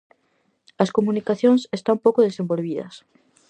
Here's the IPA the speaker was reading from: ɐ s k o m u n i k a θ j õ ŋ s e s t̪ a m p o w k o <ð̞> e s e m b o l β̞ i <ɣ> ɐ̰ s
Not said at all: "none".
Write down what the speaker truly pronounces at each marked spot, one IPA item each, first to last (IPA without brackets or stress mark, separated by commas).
ð̞, ð